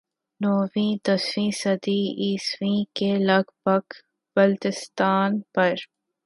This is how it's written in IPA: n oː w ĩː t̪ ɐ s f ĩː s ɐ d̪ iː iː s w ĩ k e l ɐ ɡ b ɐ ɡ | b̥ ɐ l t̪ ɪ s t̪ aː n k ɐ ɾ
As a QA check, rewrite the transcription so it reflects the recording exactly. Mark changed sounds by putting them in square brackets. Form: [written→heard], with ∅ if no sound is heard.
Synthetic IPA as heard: n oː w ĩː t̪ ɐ s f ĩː s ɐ d̪ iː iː s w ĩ k e l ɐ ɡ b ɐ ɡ | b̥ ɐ l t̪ ɪ s t̪ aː n [k→p] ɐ ɾ